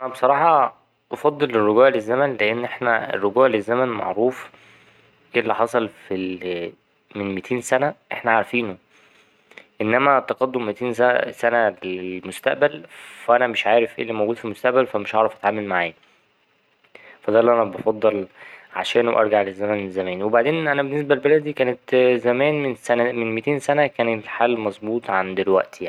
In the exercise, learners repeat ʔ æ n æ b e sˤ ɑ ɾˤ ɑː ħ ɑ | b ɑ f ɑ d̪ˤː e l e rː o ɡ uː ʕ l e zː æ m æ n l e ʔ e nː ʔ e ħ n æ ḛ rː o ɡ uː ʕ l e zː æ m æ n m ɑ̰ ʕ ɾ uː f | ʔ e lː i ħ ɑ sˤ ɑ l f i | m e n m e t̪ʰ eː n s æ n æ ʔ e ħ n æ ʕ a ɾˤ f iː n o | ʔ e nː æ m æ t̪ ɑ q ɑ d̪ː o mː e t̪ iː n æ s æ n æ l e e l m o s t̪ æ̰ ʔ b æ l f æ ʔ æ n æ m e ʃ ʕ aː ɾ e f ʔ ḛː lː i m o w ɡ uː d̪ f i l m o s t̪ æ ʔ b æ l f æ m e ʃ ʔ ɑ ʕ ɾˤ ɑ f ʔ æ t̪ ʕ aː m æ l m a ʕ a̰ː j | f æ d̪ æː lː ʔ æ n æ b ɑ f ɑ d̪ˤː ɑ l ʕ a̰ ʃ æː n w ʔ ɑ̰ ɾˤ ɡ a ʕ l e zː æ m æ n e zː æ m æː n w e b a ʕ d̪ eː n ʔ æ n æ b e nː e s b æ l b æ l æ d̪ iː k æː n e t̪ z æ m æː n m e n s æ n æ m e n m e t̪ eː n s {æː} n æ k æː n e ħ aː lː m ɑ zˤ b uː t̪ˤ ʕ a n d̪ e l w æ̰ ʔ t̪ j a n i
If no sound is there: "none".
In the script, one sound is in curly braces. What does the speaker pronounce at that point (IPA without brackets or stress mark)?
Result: æ